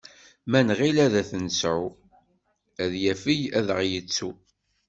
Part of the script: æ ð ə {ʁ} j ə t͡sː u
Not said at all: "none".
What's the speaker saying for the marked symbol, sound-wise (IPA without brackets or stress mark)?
ʁ